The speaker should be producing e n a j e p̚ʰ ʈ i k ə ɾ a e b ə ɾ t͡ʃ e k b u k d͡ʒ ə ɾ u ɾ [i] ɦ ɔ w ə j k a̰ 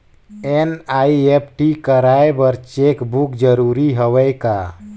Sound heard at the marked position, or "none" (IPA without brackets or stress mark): i